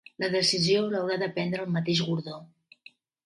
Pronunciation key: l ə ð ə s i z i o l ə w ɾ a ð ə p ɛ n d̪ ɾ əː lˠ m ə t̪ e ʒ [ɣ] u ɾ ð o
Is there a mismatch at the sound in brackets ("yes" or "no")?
no